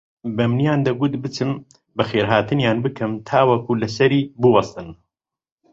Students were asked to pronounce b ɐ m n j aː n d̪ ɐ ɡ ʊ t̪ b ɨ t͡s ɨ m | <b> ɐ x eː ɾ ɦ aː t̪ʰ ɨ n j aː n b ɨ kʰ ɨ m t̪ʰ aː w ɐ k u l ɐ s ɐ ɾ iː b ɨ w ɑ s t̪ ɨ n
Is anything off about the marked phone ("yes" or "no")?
no